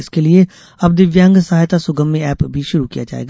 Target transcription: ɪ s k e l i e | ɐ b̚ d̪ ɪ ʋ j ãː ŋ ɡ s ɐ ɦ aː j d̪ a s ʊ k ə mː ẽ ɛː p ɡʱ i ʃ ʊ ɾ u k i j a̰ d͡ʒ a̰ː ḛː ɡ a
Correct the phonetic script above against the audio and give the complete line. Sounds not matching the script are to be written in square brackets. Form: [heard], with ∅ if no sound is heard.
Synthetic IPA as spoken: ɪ s k e l i e | ɐ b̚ d̪ ɪ ʋ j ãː ŋ ɡ s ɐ ɦ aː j [t̪] a s ʊ [ɡ] ə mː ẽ ɛː p [bʱ] i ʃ ʊ ɾ u k i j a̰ d͡ʒ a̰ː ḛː ɡ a